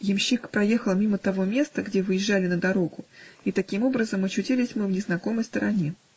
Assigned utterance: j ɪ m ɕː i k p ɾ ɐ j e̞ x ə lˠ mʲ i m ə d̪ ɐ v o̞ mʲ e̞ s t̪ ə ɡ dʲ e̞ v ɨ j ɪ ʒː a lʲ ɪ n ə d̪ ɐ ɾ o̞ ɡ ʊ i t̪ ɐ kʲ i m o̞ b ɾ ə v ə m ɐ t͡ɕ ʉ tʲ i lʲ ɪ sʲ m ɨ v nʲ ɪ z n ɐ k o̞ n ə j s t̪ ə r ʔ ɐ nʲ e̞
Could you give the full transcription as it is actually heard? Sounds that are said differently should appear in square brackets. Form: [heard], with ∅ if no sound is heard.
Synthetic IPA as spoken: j ɪ m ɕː i k p ɾ ɐ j e̞ x ə lˠ mʲ i m ə [t̪] ɐ v o̞ mʲ e̞ s t̪ ə ɡ dʲ e̞ v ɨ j ɪ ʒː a lʲ ɪ n ə d̪ ɐ ɾ o̞ ɡ ʊ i t̪ ɐ kʲ i m o̞ b ɾ ə [z] ə m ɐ t͡ɕ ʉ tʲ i lʲ ɪ sʲ m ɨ v nʲ ɪ z n ɐ k o̞ [m] ə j s t̪ ə [ɾ] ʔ ɐ nʲ e̞